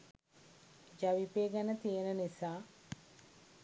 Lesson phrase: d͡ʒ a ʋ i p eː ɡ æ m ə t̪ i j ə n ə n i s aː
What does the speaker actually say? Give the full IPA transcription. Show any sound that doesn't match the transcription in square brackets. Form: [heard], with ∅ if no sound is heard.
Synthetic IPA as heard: d͡ʒ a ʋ i p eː ɡ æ [n] ə t̪ i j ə n ə n i s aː